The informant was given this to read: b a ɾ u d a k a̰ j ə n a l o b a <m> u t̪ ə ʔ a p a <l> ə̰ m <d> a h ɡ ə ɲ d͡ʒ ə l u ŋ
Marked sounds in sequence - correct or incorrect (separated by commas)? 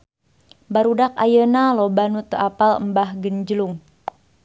incorrect, correct, incorrect